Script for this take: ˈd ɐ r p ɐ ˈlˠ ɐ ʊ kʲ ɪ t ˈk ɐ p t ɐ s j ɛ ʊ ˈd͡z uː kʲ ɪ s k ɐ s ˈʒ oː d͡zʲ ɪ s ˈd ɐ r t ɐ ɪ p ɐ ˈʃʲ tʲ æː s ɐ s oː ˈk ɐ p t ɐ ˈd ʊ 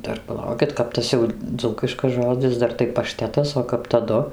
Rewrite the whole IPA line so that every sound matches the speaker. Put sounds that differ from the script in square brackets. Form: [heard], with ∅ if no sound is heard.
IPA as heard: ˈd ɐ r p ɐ ˈlˠ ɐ ʊ kʲ ɪ t ˈk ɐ p t ɐ s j ɛ ʊ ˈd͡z uː kʲ ɪ [ʃ] k ɐ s ˈʒ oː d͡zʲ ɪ s ˈd ɐ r t ɐ ɪ p ɐ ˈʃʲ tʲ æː [t] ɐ s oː ˈk ɐ p t ɐ ˈd ʊ